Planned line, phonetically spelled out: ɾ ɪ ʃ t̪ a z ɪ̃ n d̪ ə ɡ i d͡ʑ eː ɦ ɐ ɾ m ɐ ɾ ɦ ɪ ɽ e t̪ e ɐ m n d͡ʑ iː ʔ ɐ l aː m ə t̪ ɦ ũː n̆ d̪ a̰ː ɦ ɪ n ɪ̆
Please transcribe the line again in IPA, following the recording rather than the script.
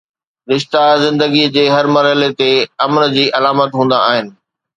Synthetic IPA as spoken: ɾ ɪ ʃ t̪ a z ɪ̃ n d̪ ə ɡ i d͡ʑ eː ɦ ɐ ɾ m ɐ ɾ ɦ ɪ l e t̪ e ɐ m n d͡ʑ iː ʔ ɐ l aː m ə t̪ ɦ ũː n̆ d̪ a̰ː ɦ ɪ n ɪ̆